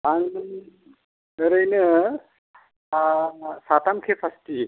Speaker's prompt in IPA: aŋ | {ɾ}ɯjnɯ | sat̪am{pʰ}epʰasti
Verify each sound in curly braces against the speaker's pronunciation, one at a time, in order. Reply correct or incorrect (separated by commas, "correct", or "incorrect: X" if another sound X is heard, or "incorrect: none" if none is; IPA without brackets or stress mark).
correct, incorrect: kʰ